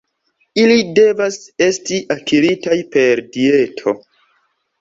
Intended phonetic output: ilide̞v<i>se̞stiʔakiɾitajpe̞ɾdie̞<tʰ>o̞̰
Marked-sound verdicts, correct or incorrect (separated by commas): incorrect, correct